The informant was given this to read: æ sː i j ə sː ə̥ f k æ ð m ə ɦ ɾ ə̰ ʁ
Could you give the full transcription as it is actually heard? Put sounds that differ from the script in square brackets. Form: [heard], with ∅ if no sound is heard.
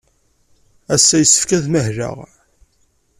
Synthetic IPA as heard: æ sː [æ] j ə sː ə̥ f k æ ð m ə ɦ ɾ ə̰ ʁ